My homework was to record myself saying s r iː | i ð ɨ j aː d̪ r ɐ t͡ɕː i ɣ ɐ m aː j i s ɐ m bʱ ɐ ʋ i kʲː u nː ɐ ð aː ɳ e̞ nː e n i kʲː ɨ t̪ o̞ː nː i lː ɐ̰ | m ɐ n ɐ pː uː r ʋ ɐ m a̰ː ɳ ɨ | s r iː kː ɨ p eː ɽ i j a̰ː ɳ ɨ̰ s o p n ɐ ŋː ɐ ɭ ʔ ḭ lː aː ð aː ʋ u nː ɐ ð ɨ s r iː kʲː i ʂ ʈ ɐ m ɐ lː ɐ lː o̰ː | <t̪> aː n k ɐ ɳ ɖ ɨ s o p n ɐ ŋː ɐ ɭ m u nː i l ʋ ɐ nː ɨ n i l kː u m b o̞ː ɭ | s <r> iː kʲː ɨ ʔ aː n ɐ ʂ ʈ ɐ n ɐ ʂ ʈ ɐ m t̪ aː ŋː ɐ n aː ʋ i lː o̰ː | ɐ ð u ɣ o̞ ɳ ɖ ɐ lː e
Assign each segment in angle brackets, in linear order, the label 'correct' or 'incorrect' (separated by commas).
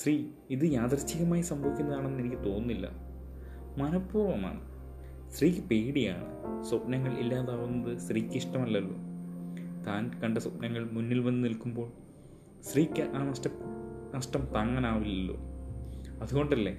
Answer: correct, correct